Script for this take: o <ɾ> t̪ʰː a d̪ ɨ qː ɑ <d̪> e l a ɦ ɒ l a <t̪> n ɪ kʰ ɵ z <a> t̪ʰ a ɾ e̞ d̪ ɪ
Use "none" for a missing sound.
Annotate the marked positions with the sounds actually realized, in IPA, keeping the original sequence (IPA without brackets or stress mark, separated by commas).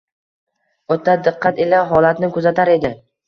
none, t̪, t̪, a